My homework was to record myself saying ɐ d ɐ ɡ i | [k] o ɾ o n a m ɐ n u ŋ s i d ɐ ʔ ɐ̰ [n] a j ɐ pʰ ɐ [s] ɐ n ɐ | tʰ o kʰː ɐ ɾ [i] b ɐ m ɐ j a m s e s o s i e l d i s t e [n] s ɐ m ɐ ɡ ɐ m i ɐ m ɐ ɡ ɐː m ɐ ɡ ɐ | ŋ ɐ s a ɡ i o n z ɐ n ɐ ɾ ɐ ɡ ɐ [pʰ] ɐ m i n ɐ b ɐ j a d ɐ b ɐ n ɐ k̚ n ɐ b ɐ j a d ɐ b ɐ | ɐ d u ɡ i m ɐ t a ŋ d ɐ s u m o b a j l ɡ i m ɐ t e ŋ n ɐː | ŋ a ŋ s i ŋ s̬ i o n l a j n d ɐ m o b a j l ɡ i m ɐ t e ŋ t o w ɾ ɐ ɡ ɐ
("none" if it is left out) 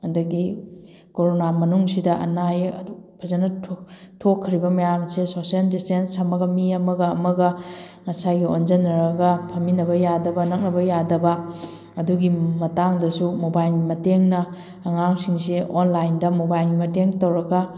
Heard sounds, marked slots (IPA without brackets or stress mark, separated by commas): k, n, z, i, n, pʰ